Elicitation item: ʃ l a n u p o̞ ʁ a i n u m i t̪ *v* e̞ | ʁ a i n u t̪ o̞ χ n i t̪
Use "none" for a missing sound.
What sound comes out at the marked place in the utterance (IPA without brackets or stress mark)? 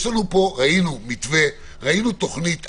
v